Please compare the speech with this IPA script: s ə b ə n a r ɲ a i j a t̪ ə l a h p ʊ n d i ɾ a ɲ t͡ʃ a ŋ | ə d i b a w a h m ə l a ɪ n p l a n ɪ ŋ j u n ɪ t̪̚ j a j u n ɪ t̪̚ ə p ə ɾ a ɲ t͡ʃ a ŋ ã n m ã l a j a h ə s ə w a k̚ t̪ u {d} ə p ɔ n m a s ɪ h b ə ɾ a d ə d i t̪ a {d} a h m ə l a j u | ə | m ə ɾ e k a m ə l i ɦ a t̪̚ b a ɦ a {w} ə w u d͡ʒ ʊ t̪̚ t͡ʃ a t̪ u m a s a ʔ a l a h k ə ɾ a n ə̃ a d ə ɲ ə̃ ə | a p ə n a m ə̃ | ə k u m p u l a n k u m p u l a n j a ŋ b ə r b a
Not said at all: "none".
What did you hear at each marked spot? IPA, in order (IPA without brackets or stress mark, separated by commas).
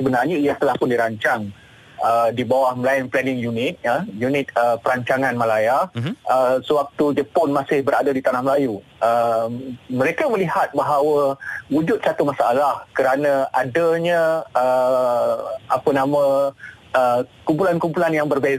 d͡ʒ, n, w